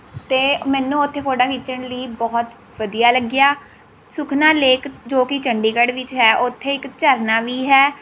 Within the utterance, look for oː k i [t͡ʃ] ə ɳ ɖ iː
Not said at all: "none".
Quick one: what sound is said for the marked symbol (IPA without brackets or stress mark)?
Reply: t͡ʃ